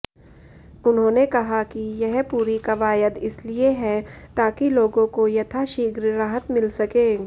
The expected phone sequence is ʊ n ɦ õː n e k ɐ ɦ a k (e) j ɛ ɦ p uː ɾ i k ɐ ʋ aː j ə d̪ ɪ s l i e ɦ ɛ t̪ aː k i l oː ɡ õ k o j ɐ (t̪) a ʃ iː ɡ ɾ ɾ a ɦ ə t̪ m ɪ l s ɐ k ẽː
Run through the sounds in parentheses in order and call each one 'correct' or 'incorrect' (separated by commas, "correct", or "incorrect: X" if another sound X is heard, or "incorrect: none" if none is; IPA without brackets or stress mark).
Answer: incorrect: i, incorrect: t̪ʰ